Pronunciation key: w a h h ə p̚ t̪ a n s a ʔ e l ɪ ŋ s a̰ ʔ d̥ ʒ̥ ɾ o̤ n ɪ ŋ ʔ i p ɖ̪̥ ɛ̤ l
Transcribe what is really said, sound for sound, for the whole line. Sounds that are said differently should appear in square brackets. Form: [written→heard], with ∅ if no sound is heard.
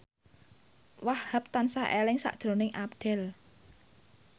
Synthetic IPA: w a h h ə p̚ t̪ a n s a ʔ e l ɪ ŋ s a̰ ʔ d̥ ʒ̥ ɾ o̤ n ɪ ŋ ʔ [i→a] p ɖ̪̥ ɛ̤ l